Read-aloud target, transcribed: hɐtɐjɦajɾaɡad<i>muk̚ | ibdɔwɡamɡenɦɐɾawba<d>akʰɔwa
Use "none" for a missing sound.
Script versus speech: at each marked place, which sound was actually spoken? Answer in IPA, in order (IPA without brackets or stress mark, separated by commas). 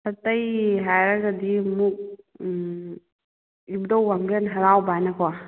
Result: i, n